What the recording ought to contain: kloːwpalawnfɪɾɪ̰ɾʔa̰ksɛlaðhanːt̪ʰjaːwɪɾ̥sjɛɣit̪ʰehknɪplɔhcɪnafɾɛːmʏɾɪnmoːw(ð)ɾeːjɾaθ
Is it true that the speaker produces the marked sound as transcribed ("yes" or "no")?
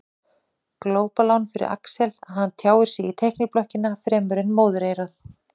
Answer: yes